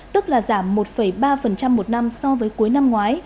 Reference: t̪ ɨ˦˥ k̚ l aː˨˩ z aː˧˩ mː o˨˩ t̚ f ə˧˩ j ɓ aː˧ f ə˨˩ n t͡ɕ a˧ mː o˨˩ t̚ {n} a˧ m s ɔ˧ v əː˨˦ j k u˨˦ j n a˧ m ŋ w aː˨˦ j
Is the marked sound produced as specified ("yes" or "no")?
yes